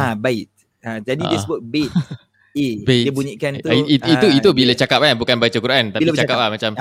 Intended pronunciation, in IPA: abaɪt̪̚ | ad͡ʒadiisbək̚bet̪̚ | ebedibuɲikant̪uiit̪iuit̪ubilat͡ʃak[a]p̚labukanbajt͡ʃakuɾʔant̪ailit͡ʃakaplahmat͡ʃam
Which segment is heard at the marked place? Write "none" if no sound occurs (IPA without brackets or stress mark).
a